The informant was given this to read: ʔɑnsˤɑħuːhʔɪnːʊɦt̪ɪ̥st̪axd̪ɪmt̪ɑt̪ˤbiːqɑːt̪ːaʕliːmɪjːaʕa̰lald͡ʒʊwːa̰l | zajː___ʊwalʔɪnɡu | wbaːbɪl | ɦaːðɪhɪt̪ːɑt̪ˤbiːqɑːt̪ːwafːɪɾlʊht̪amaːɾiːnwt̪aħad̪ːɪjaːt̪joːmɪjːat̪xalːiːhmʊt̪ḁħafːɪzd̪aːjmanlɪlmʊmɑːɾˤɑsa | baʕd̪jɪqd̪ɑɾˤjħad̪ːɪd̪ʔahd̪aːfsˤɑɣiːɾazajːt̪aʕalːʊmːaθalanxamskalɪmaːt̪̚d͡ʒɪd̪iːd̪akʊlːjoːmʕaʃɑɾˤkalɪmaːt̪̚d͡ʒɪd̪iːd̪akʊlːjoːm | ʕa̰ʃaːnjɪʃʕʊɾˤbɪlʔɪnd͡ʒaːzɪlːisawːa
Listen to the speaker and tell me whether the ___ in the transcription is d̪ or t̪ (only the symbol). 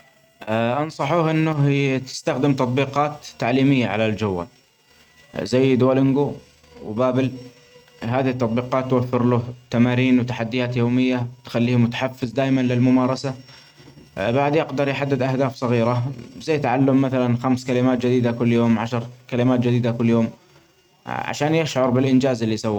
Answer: d̪